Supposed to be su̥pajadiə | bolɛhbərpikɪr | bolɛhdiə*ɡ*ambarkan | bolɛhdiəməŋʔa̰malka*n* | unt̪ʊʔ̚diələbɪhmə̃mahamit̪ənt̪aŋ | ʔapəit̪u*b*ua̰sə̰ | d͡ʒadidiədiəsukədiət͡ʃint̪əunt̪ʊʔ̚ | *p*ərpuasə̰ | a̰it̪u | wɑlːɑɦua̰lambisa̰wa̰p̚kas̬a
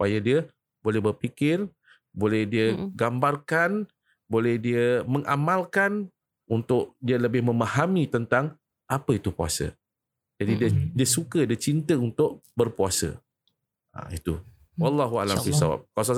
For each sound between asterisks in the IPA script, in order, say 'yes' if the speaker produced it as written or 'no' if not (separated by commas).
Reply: yes, yes, no, no